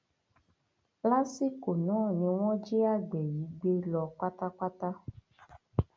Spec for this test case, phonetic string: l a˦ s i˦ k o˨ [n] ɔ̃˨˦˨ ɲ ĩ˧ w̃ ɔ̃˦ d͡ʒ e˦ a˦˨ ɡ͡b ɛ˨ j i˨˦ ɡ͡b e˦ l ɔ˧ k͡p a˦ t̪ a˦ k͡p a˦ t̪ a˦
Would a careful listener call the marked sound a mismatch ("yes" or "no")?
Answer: no